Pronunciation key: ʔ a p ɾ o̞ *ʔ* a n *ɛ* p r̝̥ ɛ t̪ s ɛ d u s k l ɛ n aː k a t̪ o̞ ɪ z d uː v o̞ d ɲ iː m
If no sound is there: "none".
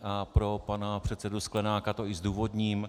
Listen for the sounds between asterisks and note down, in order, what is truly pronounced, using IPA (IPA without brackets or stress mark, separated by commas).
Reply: p, a